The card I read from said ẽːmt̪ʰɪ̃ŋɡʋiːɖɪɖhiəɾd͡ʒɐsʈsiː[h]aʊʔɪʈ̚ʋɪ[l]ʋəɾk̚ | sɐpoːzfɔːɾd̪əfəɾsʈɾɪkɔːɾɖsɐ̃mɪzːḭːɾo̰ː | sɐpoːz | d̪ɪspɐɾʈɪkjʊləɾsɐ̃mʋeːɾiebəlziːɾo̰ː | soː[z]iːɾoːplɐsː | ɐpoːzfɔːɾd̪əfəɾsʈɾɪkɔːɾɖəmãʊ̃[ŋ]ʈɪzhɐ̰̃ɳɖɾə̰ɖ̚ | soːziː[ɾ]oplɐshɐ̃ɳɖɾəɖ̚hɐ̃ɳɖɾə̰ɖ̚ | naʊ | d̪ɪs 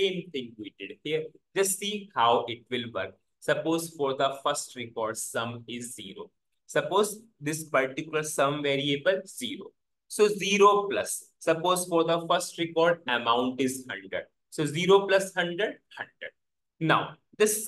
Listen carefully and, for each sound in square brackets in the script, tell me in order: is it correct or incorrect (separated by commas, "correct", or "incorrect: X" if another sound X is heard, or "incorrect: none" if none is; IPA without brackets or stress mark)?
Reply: correct, correct, correct, incorrect: ɳ, correct